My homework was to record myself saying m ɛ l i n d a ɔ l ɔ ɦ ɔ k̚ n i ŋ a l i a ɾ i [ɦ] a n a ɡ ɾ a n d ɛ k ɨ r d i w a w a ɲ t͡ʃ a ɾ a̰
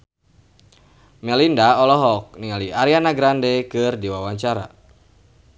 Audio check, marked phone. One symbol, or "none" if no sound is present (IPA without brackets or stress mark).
none